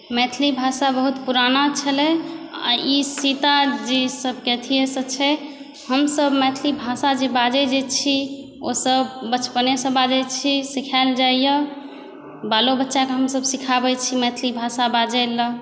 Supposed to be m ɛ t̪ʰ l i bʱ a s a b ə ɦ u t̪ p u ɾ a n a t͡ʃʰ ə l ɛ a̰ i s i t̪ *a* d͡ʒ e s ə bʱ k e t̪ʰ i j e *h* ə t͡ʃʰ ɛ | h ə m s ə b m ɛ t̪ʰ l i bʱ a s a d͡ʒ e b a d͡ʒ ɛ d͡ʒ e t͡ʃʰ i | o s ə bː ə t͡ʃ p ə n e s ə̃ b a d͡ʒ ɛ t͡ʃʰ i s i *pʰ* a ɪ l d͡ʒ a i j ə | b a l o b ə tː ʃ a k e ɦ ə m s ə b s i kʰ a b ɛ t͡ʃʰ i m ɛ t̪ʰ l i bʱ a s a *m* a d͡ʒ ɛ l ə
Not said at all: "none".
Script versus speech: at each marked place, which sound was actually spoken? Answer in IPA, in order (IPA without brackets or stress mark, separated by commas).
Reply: a, s, kʰ, b